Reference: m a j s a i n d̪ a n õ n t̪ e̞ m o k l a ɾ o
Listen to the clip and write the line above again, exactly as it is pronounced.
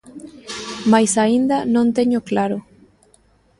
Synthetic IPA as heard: m a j s a i n d̪ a n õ n t̪ e̞ ɲ o k l a ɾ o